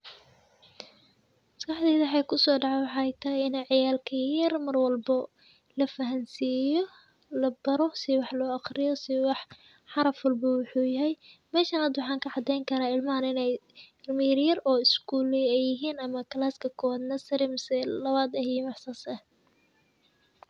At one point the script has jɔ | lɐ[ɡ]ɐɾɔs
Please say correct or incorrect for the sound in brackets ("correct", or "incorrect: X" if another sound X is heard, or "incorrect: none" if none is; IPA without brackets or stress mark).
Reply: incorrect: b